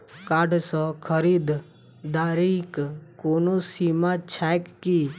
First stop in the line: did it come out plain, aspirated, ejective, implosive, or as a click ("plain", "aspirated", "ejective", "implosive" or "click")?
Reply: plain